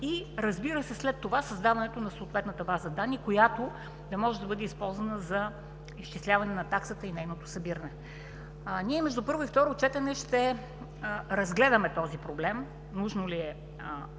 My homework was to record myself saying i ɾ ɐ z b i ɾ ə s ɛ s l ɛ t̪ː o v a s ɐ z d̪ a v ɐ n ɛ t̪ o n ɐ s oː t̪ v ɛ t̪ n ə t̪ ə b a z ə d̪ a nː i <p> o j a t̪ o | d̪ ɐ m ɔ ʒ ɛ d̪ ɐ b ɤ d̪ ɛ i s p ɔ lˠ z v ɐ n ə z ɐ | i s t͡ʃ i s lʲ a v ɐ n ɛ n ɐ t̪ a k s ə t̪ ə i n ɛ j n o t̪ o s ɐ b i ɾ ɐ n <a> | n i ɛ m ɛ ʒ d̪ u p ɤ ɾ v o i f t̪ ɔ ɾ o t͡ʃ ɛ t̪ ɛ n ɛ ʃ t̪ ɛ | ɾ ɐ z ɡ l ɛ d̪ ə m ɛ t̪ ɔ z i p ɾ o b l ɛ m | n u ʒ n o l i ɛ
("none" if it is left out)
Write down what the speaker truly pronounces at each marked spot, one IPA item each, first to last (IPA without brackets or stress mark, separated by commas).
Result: k, ɛ